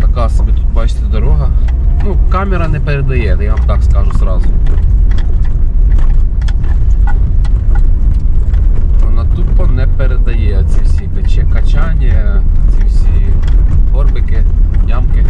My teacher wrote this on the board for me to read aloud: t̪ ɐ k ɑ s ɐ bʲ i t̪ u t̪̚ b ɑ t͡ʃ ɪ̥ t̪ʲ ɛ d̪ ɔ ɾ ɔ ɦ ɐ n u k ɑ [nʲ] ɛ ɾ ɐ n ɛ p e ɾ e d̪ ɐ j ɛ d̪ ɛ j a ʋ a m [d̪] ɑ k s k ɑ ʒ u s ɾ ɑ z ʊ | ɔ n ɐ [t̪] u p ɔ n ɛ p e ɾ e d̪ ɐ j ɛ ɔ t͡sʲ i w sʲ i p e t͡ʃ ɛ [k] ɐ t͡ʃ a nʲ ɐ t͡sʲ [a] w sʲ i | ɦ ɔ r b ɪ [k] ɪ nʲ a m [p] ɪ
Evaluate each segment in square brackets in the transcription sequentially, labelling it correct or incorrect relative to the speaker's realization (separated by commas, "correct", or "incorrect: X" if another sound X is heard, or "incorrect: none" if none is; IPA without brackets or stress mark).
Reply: incorrect: mʲ, incorrect: t̪, correct, correct, incorrect: i, correct, incorrect: k